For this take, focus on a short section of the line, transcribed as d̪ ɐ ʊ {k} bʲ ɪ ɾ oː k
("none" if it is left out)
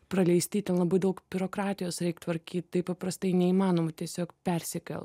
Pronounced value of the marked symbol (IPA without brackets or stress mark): k